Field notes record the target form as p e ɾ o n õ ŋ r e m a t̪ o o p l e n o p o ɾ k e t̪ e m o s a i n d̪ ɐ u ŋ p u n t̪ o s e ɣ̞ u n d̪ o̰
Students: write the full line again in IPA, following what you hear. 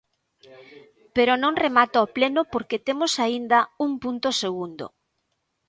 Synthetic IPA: p e ɾ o n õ ŋ r e m a t̪ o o p l e n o p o ɾ k e t̪ e m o s a i n d̪ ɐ u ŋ p u n t̪ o s e ɣ̞ u n d̪ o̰